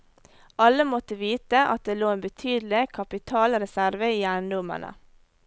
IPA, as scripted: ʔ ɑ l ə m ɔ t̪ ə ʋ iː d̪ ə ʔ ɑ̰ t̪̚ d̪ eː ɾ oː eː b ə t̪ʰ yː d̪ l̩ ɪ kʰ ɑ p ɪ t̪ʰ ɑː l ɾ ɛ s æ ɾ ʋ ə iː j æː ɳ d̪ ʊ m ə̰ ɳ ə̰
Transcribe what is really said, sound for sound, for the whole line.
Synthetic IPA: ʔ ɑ l ə m ɔ t̪ ə ʋ iː t̪ ə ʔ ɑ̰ t̪̚ d̪ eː l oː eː b ə t̪ʰ yː d̪ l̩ ɪ kʰ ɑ p ɪ t̪ʰ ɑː l ɾ ɛ s æ ɾ ʋ ə iː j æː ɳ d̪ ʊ m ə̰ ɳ ə̰